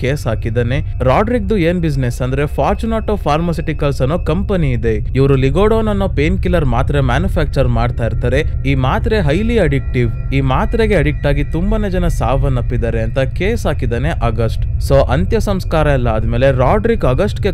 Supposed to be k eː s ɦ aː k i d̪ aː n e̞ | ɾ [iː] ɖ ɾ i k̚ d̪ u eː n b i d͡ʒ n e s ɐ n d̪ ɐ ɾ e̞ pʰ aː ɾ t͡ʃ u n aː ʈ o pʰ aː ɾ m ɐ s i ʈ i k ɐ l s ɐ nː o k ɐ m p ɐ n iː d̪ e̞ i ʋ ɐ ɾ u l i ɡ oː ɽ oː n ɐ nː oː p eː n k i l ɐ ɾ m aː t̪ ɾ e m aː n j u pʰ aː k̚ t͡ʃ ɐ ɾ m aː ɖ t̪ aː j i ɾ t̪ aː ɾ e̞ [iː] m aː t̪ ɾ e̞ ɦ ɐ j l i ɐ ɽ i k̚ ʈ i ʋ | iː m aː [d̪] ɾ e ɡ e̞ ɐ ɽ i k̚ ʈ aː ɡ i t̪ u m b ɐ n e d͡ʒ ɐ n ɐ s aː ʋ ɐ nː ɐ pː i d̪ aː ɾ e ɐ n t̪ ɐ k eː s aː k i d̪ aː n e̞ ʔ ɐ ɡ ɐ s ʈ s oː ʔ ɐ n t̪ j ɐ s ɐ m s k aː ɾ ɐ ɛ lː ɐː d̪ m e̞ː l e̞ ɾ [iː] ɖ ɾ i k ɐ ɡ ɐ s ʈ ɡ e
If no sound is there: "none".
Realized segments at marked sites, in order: aː, iː, t̪, aː

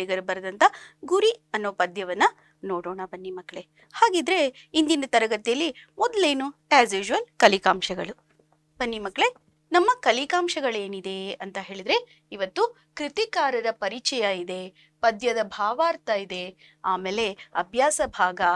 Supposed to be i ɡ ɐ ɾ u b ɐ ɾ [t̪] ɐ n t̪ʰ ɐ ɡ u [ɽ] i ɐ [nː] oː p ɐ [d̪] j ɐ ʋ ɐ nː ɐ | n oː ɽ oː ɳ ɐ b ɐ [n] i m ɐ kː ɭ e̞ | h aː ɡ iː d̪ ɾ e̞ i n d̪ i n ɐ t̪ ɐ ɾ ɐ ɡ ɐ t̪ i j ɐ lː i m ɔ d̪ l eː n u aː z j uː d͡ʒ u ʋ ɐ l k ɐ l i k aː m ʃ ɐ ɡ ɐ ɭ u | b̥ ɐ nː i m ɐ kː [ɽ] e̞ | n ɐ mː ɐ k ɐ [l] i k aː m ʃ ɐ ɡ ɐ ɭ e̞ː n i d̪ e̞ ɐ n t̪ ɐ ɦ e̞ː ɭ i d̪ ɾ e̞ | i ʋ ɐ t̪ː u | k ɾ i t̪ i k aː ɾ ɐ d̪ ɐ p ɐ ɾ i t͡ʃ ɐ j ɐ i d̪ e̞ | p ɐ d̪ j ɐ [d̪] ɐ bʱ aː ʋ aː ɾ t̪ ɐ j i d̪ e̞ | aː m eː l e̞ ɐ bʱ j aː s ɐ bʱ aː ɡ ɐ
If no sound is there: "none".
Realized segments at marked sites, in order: d̪, ɾ, nː, d̪, nː, ɭ, l, d̪

